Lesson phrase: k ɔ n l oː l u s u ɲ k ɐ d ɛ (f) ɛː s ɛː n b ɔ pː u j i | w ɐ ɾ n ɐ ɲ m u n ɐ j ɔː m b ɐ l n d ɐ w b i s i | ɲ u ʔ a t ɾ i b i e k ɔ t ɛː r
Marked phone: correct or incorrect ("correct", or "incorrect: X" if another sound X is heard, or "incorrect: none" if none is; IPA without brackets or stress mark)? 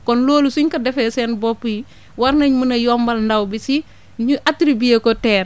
correct